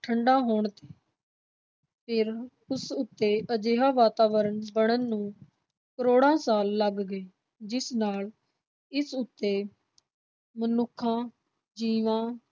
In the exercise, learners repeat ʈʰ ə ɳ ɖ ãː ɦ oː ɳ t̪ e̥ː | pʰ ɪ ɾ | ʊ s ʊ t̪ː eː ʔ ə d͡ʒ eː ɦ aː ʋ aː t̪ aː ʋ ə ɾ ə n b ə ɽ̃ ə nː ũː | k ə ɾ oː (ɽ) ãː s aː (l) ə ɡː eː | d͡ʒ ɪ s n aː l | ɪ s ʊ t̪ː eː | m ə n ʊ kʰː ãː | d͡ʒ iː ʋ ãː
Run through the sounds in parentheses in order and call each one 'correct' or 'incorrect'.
correct, incorrect: lː

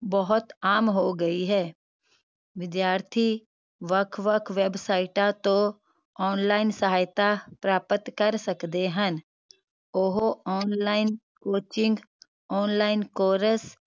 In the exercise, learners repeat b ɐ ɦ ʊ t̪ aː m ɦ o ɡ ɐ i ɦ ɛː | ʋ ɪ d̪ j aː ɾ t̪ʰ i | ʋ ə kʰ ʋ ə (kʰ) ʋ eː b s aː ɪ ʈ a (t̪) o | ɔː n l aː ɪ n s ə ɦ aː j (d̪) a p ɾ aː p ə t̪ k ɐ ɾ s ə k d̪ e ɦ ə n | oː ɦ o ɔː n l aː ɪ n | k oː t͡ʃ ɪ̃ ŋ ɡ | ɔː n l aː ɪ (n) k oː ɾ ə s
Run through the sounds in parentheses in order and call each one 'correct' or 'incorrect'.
correct, correct, incorrect: t̪, correct

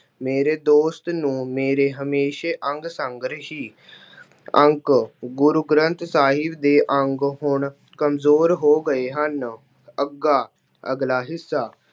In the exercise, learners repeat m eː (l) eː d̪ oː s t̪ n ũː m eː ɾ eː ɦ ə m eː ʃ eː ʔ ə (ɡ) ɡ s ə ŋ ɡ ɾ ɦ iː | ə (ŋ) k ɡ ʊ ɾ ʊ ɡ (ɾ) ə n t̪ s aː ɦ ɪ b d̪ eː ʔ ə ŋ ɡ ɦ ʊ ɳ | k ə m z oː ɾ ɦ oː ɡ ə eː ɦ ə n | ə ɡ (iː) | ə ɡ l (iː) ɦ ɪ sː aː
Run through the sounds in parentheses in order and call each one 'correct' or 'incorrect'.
incorrect: ɾ, incorrect: ŋ, correct, correct, incorrect: aː, incorrect: aː

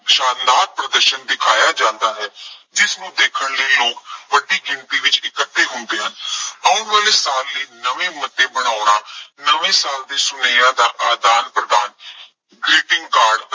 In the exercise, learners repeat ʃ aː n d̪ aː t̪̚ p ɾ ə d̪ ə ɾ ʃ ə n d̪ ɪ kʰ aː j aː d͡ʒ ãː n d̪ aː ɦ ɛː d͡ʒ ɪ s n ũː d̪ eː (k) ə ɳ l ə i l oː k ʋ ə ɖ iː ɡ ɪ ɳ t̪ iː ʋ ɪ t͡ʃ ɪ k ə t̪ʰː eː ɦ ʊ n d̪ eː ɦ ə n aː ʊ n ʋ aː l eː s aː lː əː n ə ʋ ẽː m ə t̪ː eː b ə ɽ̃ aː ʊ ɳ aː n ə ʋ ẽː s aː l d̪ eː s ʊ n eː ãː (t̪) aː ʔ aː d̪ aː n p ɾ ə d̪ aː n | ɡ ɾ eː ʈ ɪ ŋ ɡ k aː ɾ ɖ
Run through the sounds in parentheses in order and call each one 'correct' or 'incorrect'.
incorrect: kʰ, incorrect: d̪

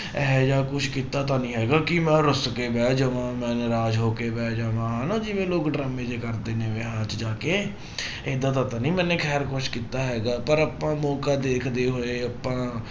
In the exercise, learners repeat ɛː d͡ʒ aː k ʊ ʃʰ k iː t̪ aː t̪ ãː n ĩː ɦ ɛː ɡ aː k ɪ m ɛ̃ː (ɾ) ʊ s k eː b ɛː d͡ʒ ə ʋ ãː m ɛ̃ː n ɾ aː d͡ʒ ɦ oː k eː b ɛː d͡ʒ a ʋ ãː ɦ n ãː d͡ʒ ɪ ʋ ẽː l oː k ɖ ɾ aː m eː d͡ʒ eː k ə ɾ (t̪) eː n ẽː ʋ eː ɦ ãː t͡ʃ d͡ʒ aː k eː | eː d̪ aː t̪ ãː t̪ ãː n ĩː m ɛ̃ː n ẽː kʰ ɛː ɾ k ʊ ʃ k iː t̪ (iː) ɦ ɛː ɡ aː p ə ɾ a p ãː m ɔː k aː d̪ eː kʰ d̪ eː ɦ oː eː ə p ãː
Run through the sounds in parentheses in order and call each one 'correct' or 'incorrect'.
correct, incorrect: d̪, incorrect: aː

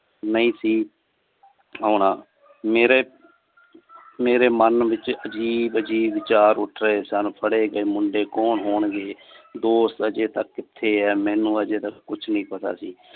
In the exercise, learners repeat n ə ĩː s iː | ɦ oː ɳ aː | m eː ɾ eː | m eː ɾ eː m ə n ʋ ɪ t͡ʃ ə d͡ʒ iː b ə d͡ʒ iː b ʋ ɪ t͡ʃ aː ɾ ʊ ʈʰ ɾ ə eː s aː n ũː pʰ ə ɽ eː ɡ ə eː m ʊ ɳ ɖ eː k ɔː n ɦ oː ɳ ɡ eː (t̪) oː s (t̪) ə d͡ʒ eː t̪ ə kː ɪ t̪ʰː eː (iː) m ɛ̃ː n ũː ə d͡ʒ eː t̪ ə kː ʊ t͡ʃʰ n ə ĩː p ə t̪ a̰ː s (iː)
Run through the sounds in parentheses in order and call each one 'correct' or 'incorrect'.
incorrect: d̪, correct, incorrect: ɛː, correct

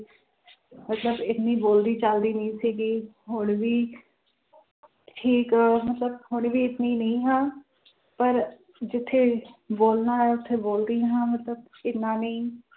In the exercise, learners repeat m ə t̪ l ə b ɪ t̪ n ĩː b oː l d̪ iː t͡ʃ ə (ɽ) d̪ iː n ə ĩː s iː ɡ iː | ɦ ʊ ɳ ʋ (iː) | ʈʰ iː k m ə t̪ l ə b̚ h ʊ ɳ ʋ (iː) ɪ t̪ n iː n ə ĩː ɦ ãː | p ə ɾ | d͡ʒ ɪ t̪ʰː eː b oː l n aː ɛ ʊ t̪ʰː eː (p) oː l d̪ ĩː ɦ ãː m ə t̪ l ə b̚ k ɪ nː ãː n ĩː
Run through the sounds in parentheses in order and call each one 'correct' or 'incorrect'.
incorrect: l, correct, correct, incorrect: b

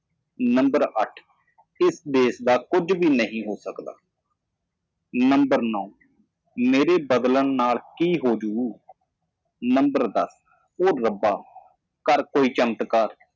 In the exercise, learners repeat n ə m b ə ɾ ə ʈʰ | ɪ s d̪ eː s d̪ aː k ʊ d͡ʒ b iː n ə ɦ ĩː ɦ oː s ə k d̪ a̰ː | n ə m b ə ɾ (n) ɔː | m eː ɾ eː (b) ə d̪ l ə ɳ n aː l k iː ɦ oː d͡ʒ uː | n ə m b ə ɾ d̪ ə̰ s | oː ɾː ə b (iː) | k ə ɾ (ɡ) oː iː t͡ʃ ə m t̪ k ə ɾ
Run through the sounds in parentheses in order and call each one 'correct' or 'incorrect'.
correct, correct, incorrect: aː, incorrect: k

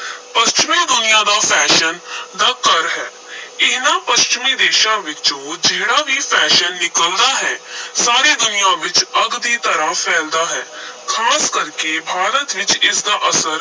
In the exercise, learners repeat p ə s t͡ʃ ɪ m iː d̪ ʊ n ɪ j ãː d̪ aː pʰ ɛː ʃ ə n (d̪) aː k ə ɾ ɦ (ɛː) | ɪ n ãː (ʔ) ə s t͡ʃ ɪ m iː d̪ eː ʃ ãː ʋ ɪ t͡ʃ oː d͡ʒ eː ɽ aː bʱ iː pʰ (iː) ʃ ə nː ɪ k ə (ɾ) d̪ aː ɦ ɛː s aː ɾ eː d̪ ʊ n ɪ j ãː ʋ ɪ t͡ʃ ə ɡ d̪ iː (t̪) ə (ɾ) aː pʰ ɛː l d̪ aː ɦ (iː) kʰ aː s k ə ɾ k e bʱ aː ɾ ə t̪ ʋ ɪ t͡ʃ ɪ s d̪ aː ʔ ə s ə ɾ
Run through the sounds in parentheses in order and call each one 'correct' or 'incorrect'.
correct, correct, incorrect: p, incorrect: ɛː, incorrect: l, correct, correct, incorrect: ɛː

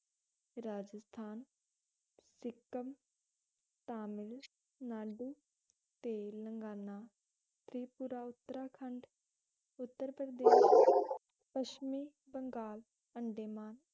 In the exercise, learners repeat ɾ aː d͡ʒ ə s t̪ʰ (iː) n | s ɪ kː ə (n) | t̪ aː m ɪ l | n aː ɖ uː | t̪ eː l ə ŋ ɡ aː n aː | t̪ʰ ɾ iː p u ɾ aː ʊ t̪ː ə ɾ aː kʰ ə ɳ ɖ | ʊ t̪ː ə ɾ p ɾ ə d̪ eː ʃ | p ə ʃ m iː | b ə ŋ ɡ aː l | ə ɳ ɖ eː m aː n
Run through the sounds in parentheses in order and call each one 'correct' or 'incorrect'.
incorrect: aː, incorrect: m

